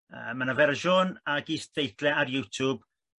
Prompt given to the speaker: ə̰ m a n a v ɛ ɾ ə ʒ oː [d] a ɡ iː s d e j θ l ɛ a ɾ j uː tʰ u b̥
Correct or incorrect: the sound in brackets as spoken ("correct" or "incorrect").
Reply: incorrect